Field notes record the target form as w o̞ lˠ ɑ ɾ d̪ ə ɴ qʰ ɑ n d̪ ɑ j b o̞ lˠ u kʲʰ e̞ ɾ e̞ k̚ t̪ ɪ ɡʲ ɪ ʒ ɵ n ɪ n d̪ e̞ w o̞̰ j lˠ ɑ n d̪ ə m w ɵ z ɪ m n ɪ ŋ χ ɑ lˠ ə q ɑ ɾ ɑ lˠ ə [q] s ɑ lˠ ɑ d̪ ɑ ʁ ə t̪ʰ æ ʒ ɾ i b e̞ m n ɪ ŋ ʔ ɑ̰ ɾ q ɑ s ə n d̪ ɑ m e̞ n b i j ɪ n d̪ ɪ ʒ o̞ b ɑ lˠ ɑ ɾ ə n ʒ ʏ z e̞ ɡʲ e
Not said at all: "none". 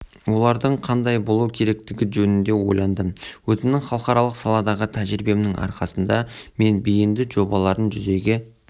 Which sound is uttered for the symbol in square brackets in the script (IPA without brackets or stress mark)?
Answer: q